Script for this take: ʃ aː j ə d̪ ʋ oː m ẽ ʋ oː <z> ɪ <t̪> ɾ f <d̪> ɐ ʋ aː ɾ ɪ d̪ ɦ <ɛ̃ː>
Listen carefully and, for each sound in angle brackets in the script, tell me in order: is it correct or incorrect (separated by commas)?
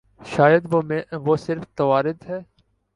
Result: incorrect, incorrect, incorrect, incorrect